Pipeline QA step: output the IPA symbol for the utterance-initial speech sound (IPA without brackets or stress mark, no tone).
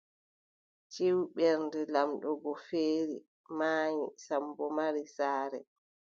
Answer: t͡ʃ